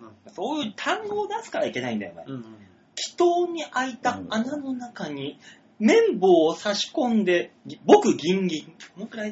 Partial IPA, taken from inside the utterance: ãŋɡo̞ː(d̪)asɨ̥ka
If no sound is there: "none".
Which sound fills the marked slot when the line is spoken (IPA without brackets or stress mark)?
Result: d̪